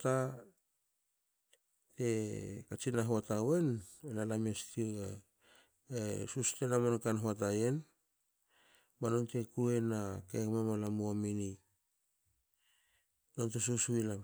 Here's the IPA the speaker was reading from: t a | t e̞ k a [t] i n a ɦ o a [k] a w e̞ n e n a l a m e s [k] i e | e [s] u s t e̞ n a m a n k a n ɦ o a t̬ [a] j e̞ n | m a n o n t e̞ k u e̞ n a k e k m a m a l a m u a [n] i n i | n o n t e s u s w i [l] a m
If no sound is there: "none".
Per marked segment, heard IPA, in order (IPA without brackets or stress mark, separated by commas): t͡ʃ, t, t, s, a, m, l